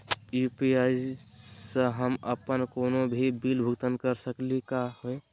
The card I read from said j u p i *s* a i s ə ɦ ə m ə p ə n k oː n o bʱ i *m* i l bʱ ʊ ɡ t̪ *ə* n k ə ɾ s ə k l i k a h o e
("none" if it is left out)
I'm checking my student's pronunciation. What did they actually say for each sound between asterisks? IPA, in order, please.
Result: none, b, ə

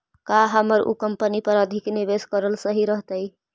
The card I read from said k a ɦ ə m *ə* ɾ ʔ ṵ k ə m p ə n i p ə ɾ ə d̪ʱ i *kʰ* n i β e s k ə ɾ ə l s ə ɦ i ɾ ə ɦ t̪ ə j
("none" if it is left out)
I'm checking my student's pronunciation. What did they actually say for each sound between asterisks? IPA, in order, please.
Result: ə, k

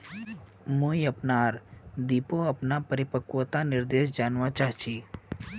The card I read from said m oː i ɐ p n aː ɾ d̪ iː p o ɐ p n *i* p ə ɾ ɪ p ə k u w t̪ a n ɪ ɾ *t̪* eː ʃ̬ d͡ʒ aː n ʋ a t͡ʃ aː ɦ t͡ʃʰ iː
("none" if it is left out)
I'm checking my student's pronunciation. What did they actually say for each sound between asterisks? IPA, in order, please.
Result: a, d̪

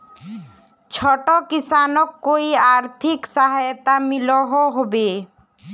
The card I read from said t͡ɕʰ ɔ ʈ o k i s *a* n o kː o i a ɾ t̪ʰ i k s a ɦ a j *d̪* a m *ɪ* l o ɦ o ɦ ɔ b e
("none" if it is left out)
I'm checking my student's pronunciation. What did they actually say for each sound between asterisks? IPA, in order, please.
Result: a, t̪, i

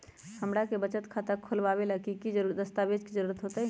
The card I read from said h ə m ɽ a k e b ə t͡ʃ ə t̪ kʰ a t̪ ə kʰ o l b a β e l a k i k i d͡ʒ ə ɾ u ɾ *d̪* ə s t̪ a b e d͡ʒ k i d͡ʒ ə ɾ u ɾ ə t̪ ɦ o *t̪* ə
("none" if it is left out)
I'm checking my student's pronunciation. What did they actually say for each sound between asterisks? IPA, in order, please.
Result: d̪, t̪

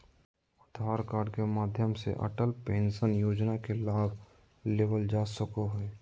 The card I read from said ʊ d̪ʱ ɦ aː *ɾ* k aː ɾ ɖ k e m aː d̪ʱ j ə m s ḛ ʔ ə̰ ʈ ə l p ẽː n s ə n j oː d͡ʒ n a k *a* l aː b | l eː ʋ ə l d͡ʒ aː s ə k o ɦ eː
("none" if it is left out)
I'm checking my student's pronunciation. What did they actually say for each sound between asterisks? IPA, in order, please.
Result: ɾ, e

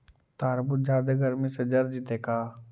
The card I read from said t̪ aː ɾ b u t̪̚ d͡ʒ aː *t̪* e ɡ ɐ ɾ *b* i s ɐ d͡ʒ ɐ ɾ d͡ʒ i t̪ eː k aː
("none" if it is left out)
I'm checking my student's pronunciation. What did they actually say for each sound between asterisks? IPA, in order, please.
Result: d̪, m

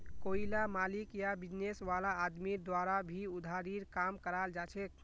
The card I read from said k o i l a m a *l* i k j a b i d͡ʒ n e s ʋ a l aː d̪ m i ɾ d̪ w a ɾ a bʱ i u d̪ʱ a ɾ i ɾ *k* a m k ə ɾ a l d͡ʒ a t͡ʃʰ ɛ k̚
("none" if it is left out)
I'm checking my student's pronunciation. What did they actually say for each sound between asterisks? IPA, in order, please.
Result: l, k

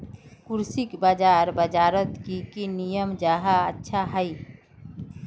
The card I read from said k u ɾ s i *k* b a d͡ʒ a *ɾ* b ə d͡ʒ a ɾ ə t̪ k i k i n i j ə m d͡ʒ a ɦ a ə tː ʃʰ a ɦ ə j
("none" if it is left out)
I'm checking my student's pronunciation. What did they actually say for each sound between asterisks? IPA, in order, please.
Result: k, ɾ

